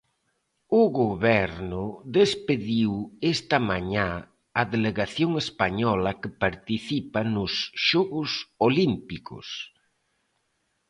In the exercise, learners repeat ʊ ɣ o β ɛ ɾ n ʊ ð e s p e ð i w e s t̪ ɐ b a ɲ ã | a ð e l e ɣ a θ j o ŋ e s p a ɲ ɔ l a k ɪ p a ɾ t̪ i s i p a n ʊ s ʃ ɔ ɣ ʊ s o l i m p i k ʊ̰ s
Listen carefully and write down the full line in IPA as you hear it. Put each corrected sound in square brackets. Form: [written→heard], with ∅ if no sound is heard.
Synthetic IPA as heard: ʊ ɣ o β ɛ ɾ n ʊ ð e s p e ð i w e s t̪ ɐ [b→m] a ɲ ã | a ð e l e ɣ a θ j o ŋ e s p a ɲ ɔ l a k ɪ p a ɾ t̪ i [s→θ] i p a n ʊ s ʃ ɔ ɣ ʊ s o l i m p i k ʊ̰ s

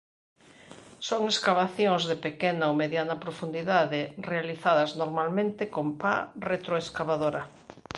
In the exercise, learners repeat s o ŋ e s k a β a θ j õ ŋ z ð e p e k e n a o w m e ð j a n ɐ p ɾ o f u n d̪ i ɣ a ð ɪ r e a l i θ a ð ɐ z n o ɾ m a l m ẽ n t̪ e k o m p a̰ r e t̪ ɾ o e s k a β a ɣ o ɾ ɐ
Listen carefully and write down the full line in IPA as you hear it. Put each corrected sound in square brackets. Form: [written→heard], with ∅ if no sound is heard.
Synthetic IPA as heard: s o ŋ e s k a β a θ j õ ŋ z ð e p e k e n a o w m e ð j a n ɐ p ɾ o f u n d̪ i [ɣ→ð] a ð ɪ r e a l i θ a ð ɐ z n o ɾ m a l m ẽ n t̪ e k o m p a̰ r e t̪ ɾ o e s k a β a [ɣ→ð] o ɾ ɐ

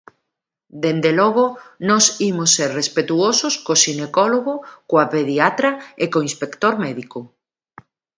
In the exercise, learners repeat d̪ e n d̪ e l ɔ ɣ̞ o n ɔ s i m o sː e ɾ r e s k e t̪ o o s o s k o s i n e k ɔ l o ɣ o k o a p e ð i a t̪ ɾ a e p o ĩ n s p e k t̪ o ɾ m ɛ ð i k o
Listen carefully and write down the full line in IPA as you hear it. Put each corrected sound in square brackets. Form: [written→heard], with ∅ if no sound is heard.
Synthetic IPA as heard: d̪ e n d̪ e l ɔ ɣ̞ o n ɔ s i m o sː e ɾ r e s [k→p] e t̪ [o→u] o s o s k o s i n e k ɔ l o ɣ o k o a p e ð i a t̪ ɾ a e [p→k] o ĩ n s p e k t̪ o ɾ m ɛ ð i k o

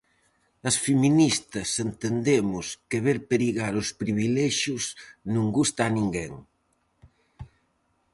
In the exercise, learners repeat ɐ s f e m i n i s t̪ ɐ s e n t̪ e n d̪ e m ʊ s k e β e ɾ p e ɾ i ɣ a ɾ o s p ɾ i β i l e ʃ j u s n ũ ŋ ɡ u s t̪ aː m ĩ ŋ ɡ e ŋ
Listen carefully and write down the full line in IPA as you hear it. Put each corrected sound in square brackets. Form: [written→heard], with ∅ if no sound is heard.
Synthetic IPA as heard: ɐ s f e m i n i s t̪ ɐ s e n t̪ e n d̪ e m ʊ s k e β e ɾ p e ɾ i ɣ a ɾ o s p ɾ i β i l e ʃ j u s n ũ ŋ ɡ u s t̪ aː [m→n] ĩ ŋ ɡ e ŋ

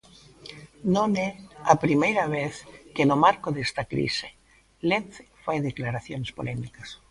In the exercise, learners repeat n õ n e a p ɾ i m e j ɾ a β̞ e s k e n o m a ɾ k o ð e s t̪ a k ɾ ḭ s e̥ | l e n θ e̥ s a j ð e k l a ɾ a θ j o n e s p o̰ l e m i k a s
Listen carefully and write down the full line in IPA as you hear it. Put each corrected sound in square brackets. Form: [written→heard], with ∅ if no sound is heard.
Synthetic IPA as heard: n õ n e a p ɾ i m e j ɾ a β̞ e [s→θ] k e n o m a ɾ k o ð e s t̪ a k ɾ ḭ s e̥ | l e n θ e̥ [s→f] a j ð e k l a ɾ a θ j o n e s p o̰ l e m i k a s

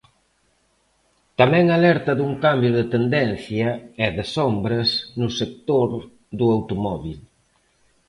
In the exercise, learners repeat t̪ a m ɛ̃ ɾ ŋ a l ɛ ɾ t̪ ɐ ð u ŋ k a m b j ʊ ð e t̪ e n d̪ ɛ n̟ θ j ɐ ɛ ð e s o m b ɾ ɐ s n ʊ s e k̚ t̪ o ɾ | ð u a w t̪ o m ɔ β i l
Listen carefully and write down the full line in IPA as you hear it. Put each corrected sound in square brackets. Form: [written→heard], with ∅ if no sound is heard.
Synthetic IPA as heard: t̪ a m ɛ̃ [ɾ→∅] ŋ a l ɛ ɾ t̪ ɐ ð u ŋ k a m b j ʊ ð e t̪ e n d̪ ɛ n̟ θ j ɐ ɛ ð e s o m b ɾ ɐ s n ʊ s e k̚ t̪ o ɾ | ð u a w t̪ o m ɔ β i l

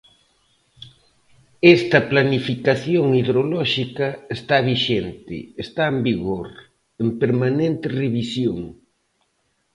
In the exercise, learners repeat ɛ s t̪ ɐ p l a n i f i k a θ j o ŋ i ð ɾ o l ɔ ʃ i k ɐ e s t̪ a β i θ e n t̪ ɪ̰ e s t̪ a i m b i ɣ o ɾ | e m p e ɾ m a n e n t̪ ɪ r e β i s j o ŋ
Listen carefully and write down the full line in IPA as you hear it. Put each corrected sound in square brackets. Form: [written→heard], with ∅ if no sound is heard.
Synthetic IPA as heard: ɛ s t̪ ɐ p l a n i f i k a θ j o ŋ i ð ɾ o l ɔ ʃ i k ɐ e s t̪ a β i [θ→ʃ] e n t̪ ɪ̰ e s t̪ a [i→e] m b i ɣ o ɾ | e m p e ɾ m a n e n t̪ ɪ r e β i s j o ŋ

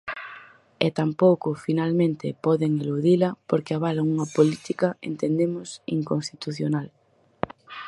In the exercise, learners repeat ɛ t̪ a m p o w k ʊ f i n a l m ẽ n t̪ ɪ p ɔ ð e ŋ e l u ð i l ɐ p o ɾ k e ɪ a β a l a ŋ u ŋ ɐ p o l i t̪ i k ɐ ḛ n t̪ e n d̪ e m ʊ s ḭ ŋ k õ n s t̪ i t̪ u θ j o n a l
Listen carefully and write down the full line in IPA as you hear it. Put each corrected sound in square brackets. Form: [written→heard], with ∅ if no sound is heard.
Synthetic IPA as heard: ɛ t̪ a m p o w k ʊ f i n a l m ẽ n t̪ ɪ p ɔ ð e ŋ e l u ð i l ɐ p o ɾ k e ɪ a β a l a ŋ u ŋ ɐ p o l i t̪ i k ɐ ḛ n t̪ e n d̪ e m ʊ s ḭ ŋ k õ n s t̪ i t̪ u θ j o n a l

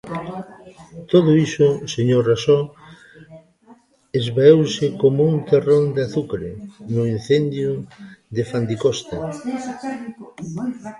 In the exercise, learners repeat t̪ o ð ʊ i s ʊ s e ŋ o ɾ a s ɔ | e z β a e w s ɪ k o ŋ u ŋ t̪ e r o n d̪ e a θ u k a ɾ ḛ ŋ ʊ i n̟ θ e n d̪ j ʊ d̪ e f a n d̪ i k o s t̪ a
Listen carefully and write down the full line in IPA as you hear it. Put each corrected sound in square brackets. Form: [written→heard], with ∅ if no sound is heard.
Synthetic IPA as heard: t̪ o ð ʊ i s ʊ s e [ŋ→ɲ] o [ɾ→r] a s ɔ | e z β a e w s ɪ k o [ŋ→m] u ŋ t̪ e r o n d̪ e a θ u k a ɾ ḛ [ŋ→n] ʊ i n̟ θ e n d̪ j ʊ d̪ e f a n d̪ i k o s t̪ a

